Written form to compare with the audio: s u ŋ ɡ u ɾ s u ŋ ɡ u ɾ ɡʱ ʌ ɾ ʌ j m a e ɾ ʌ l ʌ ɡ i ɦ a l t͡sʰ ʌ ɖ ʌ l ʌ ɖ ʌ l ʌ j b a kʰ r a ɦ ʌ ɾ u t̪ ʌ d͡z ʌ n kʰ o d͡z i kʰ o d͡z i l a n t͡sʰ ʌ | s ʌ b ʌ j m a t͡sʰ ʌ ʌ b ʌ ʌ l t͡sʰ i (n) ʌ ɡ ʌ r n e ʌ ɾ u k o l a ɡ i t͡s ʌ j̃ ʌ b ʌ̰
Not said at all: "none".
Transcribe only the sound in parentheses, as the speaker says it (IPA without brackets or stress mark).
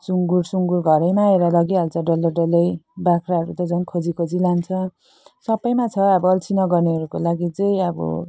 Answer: n